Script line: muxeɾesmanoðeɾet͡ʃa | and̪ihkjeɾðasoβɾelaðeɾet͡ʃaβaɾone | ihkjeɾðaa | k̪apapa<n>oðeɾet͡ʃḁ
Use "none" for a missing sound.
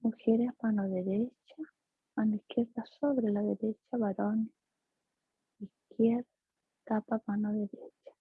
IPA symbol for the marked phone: n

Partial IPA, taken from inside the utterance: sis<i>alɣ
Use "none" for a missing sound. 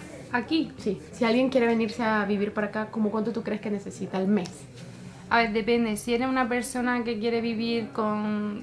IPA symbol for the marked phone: i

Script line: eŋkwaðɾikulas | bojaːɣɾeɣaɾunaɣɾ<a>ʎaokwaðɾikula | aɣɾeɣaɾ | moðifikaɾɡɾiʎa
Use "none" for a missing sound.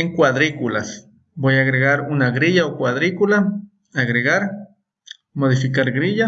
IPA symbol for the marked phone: i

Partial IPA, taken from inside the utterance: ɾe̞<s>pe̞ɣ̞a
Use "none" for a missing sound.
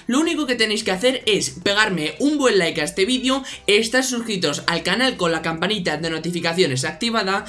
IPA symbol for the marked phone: s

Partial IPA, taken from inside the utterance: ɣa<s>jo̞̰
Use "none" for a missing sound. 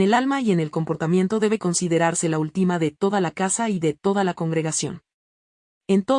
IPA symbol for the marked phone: s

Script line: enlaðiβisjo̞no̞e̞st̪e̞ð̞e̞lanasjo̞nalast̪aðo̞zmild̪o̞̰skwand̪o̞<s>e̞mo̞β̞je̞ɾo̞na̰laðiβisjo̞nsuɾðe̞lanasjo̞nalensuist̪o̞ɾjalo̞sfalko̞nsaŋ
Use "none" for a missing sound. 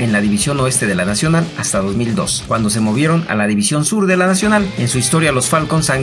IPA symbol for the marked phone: s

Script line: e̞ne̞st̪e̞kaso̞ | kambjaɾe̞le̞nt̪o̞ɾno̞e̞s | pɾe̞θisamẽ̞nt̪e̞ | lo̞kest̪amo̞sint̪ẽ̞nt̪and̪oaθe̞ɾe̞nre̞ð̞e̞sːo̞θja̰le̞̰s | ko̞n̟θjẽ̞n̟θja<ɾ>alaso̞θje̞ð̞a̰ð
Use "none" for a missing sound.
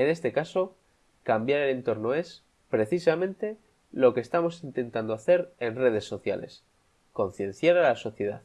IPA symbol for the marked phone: ɾ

